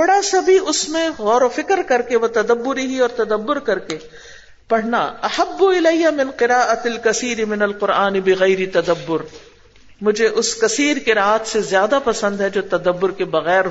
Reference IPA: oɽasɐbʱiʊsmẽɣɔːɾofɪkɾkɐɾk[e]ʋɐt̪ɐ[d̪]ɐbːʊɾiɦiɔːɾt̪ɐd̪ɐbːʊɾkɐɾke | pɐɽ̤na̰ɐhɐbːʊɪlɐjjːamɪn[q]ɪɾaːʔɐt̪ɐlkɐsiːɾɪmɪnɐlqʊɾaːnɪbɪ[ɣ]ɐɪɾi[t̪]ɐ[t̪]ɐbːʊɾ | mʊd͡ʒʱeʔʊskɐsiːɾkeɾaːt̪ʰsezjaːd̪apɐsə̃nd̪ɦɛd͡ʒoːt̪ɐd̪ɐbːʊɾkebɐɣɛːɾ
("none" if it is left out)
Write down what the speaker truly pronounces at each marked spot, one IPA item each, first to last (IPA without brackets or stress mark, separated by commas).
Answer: e, d̪, q, ɣ, t̪, d̪